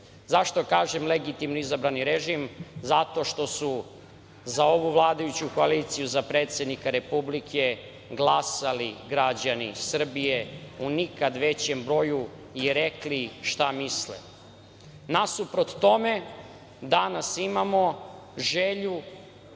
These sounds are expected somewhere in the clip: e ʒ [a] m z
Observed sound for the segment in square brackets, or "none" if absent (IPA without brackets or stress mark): i